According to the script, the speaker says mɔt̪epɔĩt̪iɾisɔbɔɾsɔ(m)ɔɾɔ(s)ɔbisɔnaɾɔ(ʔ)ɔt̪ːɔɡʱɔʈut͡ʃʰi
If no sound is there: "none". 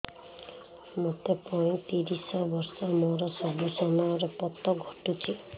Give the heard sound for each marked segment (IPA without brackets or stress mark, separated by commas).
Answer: m, s, p